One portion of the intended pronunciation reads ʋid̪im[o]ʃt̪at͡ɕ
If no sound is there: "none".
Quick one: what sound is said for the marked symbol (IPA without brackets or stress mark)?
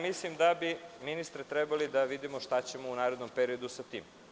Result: o